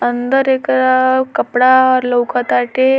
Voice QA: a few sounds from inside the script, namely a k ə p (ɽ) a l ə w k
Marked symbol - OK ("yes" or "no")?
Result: yes